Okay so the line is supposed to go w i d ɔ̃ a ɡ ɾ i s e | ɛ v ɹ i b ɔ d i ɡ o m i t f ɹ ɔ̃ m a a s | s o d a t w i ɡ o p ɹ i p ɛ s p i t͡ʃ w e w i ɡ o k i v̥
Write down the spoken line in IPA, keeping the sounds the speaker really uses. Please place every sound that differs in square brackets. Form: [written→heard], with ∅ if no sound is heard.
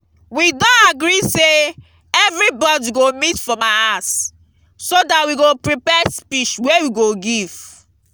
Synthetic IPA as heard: w i d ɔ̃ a ɡ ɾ i s e | ɛ v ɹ i b ɔ d i ɡ o m i t f ɹ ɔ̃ m a a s | s o d a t w i ɡ o p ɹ i p ɛ s p i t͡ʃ w e w i ɡ o [k→ɡ] i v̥